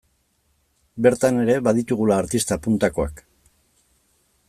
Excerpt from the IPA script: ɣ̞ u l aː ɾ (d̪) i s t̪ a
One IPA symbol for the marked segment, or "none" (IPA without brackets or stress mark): t̪